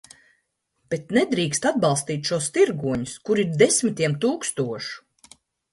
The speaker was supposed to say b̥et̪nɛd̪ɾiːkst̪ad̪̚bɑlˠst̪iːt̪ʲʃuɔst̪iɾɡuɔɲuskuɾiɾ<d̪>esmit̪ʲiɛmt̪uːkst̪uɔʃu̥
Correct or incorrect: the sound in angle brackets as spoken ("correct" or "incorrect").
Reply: correct